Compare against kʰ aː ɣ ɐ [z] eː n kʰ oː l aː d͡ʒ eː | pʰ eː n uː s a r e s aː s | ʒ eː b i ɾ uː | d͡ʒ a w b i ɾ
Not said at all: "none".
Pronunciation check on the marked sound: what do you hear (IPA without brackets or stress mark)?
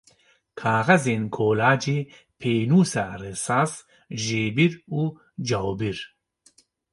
z